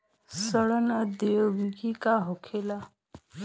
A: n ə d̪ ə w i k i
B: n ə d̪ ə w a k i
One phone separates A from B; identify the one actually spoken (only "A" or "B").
A